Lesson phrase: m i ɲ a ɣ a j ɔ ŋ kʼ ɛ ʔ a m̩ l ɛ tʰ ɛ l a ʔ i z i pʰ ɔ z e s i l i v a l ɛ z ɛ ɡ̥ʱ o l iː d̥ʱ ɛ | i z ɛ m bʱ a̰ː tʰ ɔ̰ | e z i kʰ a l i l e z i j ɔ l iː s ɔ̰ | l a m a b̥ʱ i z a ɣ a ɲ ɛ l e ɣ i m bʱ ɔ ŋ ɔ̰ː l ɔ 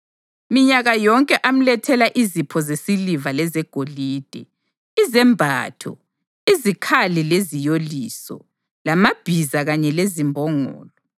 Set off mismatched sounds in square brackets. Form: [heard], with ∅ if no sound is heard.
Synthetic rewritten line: m i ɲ a ɣ a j ɔ ŋ kʼ ɛ ʔ a m̩ l ɛ tʰ ɛ l a ʔ i z i pʰ ɔ z e s i l i v a l ɛ z ɛ ɡ̥ʱ o l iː d̥ʱ ɛ | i z ɛ m bʱ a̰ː tʰ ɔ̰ | [i] z i kʰ a l i l e z i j [o] l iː s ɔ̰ | l a m a b̥ʱ i z a ɣ a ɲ ɛ l e [z] i m bʱ ɔ ŋ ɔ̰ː l ɔ